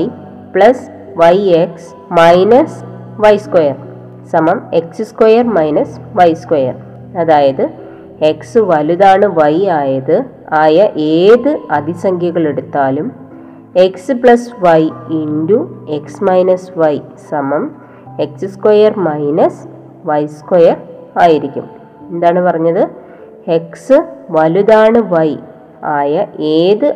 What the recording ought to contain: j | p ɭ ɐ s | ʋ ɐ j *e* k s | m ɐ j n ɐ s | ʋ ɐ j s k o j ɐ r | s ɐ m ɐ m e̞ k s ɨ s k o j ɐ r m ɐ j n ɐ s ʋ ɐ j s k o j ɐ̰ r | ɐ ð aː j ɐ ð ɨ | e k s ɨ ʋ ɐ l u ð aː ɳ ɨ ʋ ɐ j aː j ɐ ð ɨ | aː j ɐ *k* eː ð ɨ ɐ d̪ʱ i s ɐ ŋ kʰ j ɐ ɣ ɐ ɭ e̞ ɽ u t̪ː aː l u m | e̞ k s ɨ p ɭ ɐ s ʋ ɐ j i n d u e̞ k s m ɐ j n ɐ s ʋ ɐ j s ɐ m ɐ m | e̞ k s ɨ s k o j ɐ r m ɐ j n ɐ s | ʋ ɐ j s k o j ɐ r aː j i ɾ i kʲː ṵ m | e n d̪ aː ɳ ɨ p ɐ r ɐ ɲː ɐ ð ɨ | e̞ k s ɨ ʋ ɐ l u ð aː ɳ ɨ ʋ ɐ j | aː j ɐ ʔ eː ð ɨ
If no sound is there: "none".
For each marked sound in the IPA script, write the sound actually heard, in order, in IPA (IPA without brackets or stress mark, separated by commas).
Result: e, ʔ